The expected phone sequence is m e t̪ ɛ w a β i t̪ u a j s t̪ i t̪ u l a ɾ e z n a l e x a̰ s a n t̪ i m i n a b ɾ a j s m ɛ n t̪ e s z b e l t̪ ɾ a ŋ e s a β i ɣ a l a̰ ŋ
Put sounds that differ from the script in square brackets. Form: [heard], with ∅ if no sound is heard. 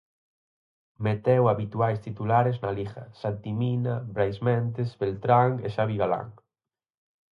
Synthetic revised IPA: m e t̪ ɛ w a β i t̪ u a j s t̪ i t̪ u l a ɾ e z n a l [i] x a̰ s a n t̪ i m i n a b ɾ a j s m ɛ n t̪ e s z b e l t̪ ɾ a ŋ e [ʃ] a β i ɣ a l a̰ ŋ